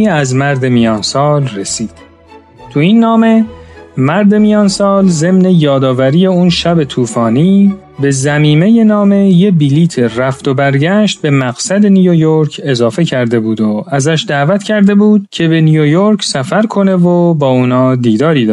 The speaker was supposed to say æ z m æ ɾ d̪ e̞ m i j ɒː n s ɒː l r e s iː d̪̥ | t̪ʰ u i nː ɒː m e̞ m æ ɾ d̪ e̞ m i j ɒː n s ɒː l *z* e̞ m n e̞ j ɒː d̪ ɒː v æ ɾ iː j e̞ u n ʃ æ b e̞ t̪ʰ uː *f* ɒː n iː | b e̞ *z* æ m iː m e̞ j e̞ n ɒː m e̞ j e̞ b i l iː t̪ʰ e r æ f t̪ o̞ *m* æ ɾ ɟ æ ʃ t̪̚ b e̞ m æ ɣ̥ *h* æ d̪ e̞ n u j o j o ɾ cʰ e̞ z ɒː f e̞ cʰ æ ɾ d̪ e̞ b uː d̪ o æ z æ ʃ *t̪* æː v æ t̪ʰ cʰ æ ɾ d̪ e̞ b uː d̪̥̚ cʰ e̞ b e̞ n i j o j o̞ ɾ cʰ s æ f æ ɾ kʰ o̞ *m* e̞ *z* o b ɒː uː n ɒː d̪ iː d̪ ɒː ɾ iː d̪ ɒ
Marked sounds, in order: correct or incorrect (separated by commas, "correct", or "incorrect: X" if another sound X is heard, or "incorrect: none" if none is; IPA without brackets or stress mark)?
correct, correct, correct, incorrect: b, incorrect: s, incorrect: d̪, incorrect: n, incorrect: v